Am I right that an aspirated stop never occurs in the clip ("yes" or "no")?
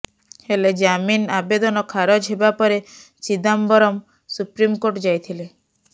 no